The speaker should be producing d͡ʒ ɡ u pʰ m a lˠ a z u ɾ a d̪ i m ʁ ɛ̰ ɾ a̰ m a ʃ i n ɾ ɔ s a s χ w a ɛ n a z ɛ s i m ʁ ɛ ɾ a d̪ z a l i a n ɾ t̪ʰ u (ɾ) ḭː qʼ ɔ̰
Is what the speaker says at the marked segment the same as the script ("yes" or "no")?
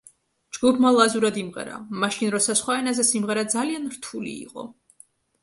no